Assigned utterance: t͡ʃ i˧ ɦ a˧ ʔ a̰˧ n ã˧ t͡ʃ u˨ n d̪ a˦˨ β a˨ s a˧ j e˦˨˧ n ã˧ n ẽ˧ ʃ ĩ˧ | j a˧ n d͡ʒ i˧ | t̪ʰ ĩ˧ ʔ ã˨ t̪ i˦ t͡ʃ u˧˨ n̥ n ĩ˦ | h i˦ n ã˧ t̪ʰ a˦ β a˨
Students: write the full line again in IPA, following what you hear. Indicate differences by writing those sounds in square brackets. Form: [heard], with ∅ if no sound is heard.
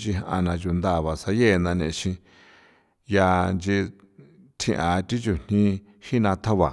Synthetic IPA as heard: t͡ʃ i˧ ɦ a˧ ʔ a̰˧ n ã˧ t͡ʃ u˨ n d̪ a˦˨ β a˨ s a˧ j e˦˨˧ n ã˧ n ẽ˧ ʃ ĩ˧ | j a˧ n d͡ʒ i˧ | t̪ʰ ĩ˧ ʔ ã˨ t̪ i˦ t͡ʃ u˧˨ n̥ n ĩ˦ | h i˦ n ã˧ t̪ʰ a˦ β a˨

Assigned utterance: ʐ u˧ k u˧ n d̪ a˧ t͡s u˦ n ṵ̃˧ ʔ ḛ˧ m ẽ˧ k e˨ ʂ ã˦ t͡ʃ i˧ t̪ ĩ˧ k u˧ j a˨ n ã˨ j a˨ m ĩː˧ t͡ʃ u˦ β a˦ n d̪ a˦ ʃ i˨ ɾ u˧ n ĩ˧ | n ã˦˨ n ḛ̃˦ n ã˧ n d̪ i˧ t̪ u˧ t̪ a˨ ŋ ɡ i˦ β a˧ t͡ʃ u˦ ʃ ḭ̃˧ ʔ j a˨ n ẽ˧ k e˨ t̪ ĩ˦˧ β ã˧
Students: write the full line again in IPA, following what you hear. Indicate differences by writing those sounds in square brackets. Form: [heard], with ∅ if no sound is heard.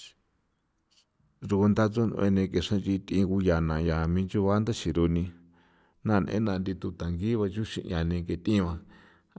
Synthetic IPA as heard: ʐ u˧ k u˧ n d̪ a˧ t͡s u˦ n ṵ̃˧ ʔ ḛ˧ [n] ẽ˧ k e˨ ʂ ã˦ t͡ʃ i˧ t̪ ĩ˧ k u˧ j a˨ n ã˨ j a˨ m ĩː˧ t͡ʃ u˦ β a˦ n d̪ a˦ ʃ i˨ ɾ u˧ n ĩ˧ | n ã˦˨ n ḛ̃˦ n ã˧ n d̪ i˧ t̪ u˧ t̪ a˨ ŋ ɡ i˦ β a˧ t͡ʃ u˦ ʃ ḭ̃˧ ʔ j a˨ n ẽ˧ k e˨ t̪ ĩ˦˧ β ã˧

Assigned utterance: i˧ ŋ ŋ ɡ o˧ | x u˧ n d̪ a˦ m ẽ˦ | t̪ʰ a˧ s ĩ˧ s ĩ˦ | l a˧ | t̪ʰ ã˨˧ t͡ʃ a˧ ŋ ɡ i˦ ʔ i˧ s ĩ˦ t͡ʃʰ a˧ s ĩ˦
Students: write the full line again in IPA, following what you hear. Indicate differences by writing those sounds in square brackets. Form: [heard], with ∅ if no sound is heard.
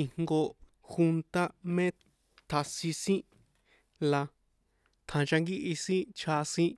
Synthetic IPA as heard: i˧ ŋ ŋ ɡ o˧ | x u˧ n [t̪] a˦ m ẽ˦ | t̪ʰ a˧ s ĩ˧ s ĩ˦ | l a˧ | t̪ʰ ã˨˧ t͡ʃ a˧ ŋ ɡ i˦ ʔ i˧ s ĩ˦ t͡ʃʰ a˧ s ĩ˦

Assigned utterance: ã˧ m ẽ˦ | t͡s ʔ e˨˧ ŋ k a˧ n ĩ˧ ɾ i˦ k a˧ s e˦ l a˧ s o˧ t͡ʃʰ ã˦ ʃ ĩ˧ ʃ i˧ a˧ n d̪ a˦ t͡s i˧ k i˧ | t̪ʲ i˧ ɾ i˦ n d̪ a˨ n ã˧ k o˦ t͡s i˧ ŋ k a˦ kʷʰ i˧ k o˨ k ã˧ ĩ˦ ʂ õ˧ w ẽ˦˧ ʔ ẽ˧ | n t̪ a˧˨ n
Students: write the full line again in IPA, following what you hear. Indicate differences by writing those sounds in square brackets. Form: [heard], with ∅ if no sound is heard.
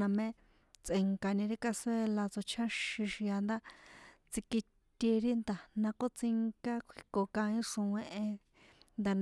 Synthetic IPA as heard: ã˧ m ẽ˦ | t͡s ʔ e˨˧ ŋ k a˧ n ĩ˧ ɾ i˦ k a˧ s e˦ l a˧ [t͡s] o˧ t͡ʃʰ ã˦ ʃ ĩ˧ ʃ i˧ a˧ n d̪ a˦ t͡s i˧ k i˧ | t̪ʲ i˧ ɾ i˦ n d̪ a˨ n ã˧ k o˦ t͡s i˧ ŋ k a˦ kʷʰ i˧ k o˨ k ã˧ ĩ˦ ʂ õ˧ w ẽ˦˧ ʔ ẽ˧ | n [d̪] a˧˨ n

